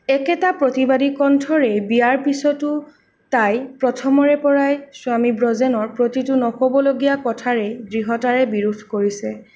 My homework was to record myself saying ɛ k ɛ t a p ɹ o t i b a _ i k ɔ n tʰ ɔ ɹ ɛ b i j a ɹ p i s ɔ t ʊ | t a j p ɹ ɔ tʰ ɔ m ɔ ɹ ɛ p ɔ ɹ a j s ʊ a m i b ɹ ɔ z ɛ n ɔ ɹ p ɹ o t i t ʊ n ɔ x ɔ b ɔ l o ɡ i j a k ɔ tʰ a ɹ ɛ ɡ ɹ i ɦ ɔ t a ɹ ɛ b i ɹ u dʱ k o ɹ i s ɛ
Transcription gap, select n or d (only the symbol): d